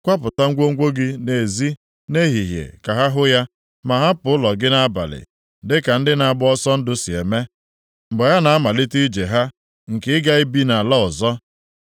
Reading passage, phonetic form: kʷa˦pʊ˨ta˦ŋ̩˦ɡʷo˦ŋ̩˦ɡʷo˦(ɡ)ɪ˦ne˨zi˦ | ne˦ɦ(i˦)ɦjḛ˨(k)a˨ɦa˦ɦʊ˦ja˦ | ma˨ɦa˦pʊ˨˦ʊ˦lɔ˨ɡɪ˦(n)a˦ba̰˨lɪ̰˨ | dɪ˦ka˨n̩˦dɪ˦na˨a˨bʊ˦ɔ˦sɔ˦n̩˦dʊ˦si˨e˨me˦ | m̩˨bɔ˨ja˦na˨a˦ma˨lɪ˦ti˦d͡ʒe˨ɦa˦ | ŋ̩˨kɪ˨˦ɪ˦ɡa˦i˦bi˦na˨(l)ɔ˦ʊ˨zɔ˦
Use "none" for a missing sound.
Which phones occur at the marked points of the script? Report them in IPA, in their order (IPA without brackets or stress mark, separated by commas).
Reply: ɡ, i˨, k, n, l